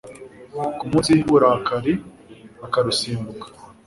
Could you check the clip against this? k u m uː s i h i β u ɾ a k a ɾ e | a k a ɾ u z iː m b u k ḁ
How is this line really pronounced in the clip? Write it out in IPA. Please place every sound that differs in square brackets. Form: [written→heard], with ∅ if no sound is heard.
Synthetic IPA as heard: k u m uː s i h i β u ɾ a k a ɾ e | a k a ɾ u [z→s] iː m b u k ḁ